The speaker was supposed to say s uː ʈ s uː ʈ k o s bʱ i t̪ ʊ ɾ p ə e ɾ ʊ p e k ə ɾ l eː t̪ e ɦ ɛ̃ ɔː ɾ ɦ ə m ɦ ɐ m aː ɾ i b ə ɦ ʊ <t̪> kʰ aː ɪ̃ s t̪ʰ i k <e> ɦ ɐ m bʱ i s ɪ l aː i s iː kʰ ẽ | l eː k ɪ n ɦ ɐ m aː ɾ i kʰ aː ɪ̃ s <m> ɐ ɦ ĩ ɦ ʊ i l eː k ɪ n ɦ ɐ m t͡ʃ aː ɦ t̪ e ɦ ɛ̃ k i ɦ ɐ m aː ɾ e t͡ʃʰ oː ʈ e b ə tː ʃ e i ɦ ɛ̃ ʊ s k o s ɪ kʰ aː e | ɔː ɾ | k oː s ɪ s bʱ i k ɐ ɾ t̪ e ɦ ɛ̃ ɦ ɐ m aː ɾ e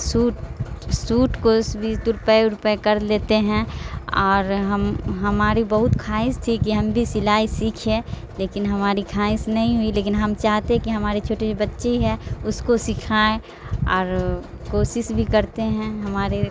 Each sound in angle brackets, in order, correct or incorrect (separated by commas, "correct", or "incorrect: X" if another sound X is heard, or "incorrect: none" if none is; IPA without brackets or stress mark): correct, incorrect: i, incorrect: n